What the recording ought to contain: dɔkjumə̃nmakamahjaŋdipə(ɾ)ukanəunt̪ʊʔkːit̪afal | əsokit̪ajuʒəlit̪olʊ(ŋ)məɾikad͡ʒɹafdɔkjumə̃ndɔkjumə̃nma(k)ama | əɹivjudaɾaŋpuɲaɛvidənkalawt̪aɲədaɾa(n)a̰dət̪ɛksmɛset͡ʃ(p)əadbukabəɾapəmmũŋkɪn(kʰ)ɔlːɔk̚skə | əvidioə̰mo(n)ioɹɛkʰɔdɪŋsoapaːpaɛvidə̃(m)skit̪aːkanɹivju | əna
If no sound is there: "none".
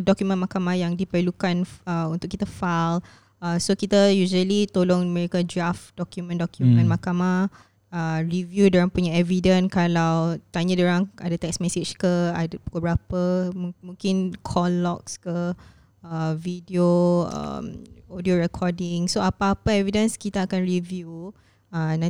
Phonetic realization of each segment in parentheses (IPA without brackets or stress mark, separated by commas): l, ŋ, k, ŋ, k, kʰ, d, n